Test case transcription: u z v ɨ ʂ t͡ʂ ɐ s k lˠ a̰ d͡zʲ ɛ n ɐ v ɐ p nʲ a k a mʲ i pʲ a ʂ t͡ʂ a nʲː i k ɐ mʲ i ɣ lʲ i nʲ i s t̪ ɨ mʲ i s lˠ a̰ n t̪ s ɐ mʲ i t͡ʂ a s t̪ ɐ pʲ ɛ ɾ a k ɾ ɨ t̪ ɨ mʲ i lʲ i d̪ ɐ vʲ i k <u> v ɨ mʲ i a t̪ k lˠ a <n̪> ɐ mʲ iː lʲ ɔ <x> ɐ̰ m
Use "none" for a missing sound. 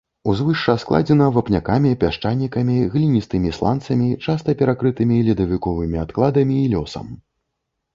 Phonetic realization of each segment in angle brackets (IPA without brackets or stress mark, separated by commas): ɔ, d̪, s